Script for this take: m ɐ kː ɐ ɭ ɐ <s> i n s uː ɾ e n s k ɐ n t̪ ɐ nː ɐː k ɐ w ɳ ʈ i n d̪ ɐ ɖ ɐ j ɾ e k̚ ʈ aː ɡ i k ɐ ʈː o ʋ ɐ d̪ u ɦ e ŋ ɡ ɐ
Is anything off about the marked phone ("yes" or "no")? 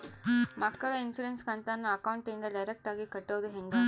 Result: yes